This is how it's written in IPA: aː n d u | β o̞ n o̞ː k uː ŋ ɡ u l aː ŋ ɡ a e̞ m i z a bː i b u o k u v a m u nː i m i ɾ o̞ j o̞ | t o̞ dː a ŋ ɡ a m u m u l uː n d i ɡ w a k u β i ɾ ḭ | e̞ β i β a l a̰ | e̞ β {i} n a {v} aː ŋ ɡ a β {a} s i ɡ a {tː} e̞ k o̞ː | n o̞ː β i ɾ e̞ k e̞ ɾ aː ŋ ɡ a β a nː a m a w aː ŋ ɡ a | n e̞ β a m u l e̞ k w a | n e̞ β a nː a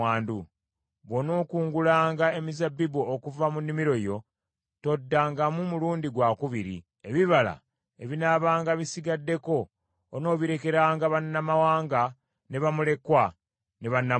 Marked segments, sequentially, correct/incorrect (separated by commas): correct, incorrect, incorrect, incorrect